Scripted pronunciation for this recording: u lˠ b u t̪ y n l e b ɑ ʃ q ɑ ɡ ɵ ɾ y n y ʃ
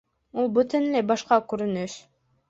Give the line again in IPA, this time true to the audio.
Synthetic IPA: u lˠ b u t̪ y n l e b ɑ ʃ q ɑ k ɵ ɾ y n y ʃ